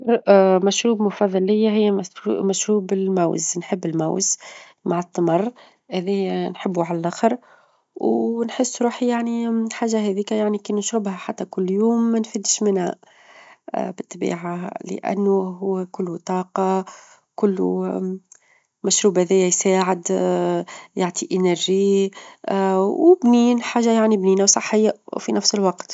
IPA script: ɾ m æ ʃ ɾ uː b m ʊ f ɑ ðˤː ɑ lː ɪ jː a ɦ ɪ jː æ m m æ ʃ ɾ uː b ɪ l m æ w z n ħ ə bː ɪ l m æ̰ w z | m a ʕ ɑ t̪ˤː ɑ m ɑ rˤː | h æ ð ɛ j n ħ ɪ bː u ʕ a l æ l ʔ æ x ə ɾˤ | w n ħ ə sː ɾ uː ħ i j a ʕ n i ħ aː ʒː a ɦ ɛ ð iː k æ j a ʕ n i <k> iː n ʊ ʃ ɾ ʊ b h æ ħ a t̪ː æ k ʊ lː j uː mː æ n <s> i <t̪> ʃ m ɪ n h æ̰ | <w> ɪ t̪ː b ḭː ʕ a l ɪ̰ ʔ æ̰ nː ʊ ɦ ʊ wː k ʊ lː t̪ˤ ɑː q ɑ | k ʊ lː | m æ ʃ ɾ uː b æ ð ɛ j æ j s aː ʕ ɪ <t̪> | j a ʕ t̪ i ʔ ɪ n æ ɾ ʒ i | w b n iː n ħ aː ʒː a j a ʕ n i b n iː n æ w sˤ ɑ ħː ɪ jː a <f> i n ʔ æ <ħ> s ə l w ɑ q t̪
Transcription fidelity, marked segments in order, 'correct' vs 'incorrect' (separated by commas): correct, incorrect, incorrect, incorrect, incorrect, correct, incorrect